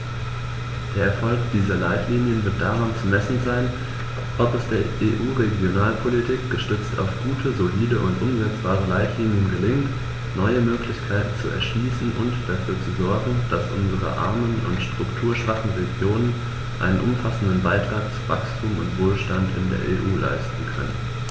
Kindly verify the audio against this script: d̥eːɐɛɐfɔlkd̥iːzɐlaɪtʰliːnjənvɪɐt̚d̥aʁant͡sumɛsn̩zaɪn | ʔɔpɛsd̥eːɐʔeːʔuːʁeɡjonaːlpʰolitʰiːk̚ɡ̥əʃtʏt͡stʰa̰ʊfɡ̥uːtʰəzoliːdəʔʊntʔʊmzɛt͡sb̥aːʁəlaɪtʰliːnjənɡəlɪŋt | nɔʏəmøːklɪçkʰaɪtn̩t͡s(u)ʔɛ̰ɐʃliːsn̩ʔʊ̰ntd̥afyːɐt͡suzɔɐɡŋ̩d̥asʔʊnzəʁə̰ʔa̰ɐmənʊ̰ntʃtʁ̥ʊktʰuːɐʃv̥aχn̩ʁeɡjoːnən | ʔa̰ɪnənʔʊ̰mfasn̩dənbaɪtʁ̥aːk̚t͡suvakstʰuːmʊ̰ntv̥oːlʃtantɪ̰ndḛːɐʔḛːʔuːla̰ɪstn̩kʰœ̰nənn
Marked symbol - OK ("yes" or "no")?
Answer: yes